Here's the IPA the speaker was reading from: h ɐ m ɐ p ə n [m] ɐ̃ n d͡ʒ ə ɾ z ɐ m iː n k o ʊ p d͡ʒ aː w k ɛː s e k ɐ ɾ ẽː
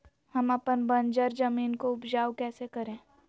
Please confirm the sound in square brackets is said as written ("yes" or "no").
no